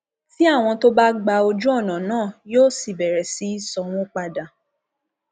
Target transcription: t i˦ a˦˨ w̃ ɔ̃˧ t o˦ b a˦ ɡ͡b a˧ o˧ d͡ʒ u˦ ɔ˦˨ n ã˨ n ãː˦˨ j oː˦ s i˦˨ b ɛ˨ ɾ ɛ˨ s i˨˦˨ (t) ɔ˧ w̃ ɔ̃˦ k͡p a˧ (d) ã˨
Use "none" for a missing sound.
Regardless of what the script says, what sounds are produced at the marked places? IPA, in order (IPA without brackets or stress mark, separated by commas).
s, d